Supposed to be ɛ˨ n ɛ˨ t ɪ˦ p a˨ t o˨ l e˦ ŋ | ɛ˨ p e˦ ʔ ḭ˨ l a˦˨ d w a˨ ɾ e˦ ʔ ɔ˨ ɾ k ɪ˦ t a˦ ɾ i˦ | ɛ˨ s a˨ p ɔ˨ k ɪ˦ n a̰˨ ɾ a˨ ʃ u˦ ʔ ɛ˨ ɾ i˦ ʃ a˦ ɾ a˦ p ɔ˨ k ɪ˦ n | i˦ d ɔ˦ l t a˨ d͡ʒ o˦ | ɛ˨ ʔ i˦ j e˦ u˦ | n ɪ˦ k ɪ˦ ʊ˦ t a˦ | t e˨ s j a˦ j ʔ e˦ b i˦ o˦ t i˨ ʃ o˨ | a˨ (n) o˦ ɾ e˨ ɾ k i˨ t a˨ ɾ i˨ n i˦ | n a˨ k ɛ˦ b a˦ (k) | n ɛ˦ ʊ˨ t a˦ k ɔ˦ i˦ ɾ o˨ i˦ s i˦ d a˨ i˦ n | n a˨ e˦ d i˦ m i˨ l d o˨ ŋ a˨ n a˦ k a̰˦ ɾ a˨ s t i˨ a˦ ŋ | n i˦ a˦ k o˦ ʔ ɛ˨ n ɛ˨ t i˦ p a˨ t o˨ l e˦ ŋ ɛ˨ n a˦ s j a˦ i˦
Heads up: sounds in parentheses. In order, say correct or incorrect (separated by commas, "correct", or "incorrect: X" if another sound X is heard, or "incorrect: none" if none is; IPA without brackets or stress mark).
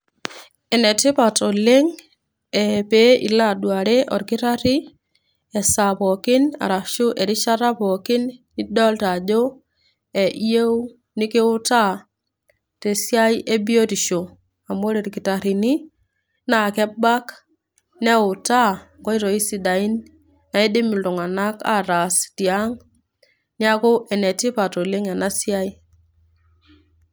incorrect: m, correct